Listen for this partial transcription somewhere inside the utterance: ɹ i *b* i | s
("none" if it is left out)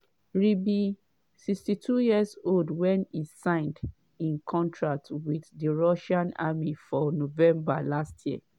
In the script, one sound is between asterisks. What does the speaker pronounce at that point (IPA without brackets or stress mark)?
b